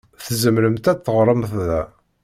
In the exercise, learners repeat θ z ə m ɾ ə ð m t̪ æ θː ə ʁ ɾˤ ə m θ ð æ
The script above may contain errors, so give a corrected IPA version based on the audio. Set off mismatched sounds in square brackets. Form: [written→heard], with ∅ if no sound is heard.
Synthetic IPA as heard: θ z ə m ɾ ə [ð→∅] m t̪ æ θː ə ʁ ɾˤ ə m θ ð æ

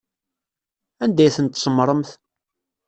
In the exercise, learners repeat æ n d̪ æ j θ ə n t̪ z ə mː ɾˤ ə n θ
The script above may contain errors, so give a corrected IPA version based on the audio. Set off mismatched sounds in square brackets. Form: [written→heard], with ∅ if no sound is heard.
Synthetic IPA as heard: æ n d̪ æ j θ ə n t̪ [z→s] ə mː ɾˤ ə [n→m] θ

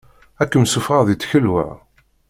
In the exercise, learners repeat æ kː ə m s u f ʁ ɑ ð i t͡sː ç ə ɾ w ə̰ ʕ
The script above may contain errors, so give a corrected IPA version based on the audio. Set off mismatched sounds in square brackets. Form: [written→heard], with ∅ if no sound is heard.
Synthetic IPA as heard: æ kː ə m s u f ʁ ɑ ð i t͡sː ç ə [ɾ→l] w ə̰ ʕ

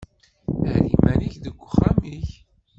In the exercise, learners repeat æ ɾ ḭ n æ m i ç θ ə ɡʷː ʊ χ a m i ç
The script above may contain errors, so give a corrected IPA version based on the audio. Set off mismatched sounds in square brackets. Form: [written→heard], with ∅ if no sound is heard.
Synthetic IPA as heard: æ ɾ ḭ [n→m] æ [m→n] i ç [θ→ð] ə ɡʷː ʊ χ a m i ç

